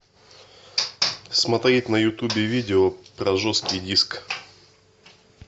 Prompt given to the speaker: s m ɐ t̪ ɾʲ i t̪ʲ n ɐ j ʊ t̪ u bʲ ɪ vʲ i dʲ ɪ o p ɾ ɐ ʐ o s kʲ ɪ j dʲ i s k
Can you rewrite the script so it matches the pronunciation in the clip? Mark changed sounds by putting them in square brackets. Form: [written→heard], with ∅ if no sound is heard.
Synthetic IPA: s m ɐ t̪ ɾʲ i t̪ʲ n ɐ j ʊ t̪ u bʲ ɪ vʲ i dʲ ɪ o p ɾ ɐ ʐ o s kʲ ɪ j dʲ i s k